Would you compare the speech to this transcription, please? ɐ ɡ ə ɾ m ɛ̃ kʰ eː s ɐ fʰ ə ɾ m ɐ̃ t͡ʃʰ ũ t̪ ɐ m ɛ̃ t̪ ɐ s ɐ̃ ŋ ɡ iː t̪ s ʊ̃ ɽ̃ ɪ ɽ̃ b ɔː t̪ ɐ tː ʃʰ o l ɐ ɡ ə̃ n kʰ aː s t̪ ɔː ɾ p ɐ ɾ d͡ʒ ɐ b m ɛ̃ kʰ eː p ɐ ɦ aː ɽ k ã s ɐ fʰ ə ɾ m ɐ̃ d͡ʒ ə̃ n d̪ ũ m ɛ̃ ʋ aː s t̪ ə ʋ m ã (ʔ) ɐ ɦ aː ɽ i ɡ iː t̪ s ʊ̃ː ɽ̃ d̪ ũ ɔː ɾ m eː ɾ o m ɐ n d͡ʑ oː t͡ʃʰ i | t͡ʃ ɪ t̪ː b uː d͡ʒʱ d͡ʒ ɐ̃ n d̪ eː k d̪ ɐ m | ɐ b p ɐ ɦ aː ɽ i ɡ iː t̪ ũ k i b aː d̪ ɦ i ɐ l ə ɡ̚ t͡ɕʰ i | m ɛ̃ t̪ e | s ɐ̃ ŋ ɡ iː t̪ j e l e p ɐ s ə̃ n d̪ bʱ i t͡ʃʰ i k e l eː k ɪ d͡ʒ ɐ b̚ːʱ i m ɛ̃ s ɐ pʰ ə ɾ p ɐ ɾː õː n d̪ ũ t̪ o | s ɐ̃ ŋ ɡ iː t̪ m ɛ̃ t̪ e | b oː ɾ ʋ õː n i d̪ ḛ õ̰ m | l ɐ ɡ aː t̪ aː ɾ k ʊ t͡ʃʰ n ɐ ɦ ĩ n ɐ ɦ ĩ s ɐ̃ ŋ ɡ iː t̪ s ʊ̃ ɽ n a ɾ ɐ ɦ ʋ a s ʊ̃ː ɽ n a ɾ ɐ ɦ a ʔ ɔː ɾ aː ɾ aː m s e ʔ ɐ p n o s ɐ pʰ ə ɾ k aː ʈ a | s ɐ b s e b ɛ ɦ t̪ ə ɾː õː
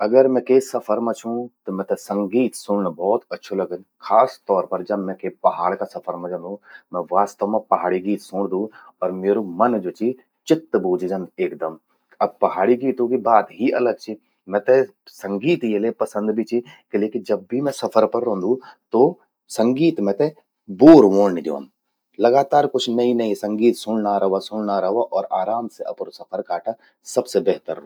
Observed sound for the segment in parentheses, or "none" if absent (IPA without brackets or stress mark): p